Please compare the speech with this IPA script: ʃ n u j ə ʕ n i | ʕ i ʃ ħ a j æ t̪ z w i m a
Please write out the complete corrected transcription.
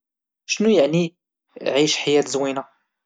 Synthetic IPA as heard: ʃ n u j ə ʕ n i | ʕ i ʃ ħ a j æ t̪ z w i n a